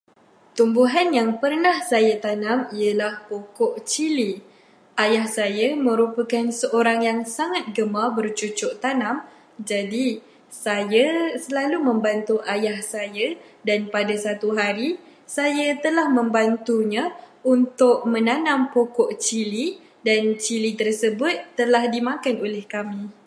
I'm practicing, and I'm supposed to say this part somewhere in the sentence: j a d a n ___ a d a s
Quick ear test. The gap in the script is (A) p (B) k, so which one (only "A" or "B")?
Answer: A